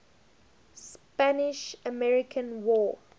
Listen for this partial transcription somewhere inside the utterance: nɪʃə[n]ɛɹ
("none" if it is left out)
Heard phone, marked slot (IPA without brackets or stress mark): m